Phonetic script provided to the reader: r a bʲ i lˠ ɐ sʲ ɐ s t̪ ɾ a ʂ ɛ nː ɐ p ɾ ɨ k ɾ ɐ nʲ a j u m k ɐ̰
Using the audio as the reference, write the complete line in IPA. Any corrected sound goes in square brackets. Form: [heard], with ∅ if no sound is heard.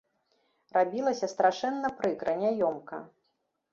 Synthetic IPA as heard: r a bʲ i lˠ ɐ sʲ ɐ s t̪ ɾ a ʂ ɛ nː ɐ p ɾ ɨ k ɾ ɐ nʲ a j [ɔ] m k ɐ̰